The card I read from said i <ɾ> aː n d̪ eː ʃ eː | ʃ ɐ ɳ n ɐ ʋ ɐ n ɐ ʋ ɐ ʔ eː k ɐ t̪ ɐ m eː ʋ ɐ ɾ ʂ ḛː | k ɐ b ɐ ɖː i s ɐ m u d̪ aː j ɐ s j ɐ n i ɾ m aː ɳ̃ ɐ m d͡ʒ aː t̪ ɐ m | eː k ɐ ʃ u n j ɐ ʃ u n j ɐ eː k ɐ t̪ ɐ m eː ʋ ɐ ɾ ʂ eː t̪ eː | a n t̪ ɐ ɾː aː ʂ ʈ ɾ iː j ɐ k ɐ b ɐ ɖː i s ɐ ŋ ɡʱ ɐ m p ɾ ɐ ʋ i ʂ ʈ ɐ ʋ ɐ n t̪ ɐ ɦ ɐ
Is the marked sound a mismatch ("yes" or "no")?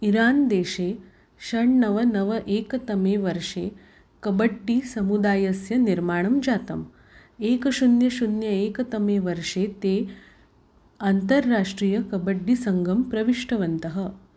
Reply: no